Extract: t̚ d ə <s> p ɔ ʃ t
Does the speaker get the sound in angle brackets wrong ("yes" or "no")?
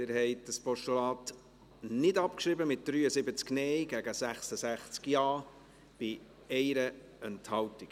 no